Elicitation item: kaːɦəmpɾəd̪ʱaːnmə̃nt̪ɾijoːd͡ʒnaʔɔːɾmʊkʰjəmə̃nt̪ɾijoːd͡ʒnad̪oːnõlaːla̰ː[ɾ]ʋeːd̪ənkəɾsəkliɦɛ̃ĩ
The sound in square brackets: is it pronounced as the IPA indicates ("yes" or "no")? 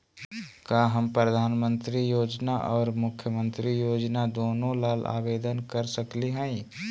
no